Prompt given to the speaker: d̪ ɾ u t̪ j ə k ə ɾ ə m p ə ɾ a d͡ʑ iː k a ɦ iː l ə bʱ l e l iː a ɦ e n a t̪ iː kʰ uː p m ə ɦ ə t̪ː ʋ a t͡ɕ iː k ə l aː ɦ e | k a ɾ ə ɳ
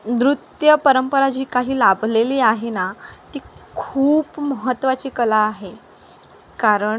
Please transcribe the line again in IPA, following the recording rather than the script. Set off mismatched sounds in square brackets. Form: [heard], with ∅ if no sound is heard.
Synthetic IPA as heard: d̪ ɾ u t̪ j ə [p] ə ɾ ə m p ə ɾ a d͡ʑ iː k a ɦ iː l [a] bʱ l e l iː a ɦ e n a t̪ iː kʰ uː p m ə ɦ ə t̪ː ʋ a t͡ɕ iː k ə l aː ɦ e | k a ɾ ə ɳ